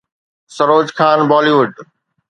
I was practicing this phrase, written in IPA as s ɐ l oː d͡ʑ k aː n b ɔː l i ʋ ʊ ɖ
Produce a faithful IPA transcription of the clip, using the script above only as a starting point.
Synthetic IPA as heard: s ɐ ɾ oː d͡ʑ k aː n b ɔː l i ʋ ʊ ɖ